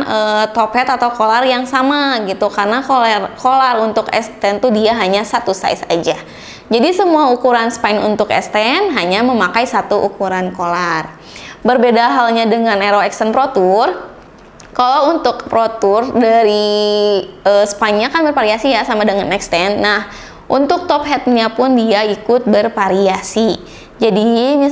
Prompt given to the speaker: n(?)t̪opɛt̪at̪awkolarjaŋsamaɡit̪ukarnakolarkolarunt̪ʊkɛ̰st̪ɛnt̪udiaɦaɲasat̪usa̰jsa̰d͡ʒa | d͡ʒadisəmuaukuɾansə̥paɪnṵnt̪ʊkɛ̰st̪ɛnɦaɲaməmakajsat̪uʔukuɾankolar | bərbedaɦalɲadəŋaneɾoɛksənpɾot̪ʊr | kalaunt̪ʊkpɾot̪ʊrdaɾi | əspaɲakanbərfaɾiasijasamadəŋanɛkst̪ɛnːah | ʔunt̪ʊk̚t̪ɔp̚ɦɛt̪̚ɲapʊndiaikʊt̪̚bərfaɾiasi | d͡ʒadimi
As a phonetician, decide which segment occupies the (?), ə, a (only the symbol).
ə